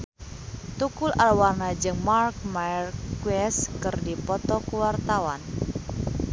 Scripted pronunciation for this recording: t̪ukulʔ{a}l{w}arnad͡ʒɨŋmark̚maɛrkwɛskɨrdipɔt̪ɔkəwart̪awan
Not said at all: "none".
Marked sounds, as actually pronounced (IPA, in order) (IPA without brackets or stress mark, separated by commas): a, w